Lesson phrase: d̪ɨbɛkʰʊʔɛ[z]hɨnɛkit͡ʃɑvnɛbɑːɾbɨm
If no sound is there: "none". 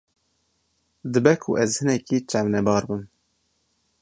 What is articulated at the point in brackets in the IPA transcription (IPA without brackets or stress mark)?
z